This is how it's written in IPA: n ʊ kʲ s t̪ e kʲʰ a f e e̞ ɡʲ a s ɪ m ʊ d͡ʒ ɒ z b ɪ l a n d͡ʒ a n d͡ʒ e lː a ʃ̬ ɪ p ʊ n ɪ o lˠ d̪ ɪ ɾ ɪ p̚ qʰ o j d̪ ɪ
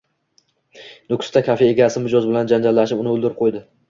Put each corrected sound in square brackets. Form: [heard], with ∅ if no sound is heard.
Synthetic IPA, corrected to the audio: n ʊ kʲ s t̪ [a] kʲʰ a f e e̞ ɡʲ a s ɪ m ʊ d͡ʒ ɒ z b ɪ l a n d͡ʒ a n d͡ʒ [a] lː a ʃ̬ ɪ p ʊ n ɪ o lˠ d̪ ɪ ɾ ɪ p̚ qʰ o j d̪ ɪ